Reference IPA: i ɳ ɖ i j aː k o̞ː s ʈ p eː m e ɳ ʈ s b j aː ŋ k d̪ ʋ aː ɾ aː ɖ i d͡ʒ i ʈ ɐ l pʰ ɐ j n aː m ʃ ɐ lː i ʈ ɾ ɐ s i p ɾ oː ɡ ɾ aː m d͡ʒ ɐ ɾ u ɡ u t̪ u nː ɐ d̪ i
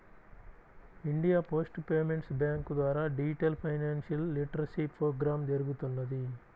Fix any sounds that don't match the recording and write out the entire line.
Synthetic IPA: i ɳ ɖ i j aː p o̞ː s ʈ p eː m e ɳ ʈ s b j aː ŋ k d̪ ʋ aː ɾ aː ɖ i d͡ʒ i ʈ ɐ l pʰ ɐ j n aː n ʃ ɐ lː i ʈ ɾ ɐ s i p ɾ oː ɡ ɾ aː m d͡ʒ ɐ ɾ u ɡ u t̪ u nː ɐ d̪ i